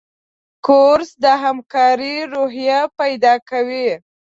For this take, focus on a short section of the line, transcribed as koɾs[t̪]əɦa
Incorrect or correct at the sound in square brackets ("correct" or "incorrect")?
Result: incorrect